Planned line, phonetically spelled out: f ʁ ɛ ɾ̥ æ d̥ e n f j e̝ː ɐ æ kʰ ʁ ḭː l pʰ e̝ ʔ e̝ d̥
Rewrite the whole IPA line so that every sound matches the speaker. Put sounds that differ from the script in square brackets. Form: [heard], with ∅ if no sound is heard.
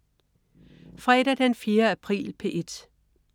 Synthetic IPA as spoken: f ʁ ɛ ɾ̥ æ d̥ e n f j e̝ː ɐ æ [pʰ] ʁ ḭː l pʰ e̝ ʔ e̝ d̥